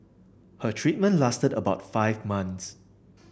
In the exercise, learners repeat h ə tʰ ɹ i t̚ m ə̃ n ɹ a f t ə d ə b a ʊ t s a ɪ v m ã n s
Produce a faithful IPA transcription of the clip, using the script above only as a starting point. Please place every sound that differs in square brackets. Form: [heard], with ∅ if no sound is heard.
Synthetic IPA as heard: h ə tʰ ɹ i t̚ m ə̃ n [l] a [s] t ə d ə b a ʊ t [f] a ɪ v m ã n s